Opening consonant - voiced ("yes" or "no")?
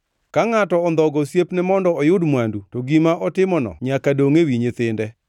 no